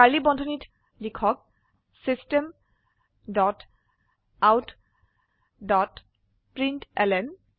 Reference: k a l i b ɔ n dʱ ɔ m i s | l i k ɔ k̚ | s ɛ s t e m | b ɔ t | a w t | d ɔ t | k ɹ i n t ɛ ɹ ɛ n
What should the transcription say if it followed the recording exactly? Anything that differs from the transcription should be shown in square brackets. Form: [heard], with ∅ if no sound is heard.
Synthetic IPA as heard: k a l i b ɔ n dʱ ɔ [n] i [t] | l i [kʰ] ɔ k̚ | s [i] s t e m | [d] ɔ t | a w t | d ɔ t | [p] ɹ i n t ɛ [l] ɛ n